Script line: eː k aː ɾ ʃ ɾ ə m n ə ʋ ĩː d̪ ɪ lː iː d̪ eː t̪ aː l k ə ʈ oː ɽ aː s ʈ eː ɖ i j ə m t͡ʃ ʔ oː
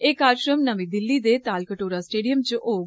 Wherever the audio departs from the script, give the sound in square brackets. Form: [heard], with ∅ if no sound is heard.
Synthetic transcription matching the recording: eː k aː ɾ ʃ ɾ ə m n ə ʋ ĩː d̪ ɪ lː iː d̪ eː t̪ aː l k ə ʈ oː [ɾ] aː s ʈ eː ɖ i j ə m t͡ʃ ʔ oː